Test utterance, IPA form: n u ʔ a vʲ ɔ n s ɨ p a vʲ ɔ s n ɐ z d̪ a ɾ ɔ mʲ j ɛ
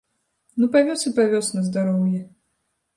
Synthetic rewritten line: n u p a vʲ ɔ s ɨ p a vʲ ɔ s n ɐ z d̪ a ɾ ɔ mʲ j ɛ